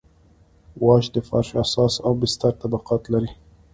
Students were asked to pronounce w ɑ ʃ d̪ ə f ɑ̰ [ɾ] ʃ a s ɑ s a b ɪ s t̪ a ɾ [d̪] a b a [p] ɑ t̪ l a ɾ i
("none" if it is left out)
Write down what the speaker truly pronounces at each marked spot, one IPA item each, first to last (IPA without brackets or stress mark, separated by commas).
ɾ, t̪, q